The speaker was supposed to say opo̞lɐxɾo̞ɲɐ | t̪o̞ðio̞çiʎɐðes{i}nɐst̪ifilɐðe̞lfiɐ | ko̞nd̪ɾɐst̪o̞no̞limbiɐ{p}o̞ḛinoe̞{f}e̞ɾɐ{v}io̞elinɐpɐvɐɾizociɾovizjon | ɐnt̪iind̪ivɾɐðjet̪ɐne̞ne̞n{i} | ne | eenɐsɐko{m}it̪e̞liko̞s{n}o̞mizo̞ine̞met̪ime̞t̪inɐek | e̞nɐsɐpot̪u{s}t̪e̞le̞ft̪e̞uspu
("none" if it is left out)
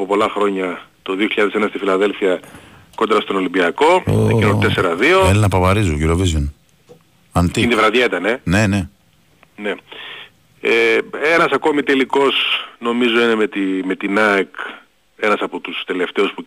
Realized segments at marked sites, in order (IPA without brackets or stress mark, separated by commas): e, k, s, ð, e, m, n, s